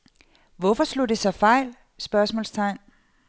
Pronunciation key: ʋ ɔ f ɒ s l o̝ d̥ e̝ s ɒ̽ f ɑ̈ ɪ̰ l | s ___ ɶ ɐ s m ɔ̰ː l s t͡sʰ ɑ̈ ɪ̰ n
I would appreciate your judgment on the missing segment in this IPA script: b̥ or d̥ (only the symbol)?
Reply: b̥